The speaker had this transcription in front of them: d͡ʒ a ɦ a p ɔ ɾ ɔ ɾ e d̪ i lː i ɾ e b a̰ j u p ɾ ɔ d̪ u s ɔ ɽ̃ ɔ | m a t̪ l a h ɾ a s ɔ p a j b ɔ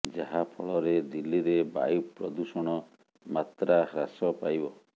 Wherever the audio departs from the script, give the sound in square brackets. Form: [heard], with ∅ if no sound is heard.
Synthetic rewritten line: d͡ʒ a ɦ a [pʰ] ɔ [ɭ] ɔ ɾ e d̪ i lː i ɾ e b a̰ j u p ɾ ɔ d̪ u s ɔ ɽ̃ ɔ | m a t̪ [ɾ] a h ɾ a s ɔ p a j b ɔ